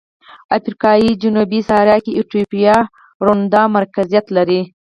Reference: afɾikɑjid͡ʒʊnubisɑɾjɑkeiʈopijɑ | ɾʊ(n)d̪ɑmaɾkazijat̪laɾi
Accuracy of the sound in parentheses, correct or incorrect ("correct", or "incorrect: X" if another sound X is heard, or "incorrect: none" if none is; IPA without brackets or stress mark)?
correct